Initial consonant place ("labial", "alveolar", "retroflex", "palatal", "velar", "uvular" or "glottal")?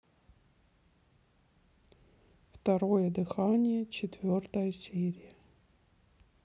labial